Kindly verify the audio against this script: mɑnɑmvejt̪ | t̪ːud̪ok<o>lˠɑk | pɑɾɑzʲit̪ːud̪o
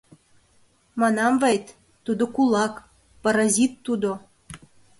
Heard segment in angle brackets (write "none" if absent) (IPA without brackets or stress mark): u